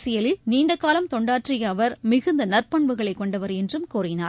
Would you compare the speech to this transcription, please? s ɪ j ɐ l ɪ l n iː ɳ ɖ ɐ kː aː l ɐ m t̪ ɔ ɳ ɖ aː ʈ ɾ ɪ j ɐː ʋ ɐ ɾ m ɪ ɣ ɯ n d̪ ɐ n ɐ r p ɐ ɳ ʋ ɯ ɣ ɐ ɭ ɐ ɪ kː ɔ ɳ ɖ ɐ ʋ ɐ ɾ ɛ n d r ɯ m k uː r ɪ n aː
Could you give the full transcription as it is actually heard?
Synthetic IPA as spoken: s ɪ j ɐ l ɪ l n iː ɳ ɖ ɐ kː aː l ɐ m t̪ ɔ ɳ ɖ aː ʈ r ɪ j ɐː ʋ ɐ ɾ m ɪ ɣ ɯ n d̪ ɐ n ɐ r p ɐ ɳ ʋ ɯ ɣ ɐ ɭ ɐ ɪ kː ɔ ɳ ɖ ɐ ʋ ɐ ɾ ɛ n d r ɯ m k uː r ɪ n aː